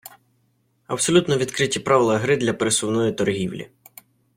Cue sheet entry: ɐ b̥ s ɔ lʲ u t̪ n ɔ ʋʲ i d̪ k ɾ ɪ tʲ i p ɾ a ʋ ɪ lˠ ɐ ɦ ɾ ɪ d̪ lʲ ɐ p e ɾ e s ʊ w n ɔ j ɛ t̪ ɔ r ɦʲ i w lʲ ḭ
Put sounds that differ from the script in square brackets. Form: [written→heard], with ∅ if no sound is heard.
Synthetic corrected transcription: ɐ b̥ s ɔ lʲ u t̪ n ɔ ʋʲ i d̪ k ɾ ɪ tʲ i p ɾ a ʋ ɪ lˠ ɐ ɦ ɾ ɪ d̪ lʲ ɐ p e ɾ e s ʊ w n ɔ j [ɛ→i] t̪ ɔ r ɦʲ i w lʲ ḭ